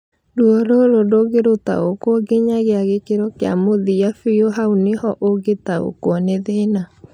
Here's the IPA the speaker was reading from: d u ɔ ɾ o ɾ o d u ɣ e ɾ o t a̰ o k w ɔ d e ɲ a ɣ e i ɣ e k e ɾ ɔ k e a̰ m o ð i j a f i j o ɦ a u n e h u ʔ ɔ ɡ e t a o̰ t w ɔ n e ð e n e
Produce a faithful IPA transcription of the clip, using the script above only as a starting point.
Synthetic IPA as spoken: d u ɔ ɾ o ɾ o d o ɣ e ɾ o t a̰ o k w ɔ ɡ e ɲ a ɣ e a ɣ e k e ɾ ɔ k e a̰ m o ð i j a f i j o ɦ a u n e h ɔ ʔ o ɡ e t a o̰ k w ɔ n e ð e n a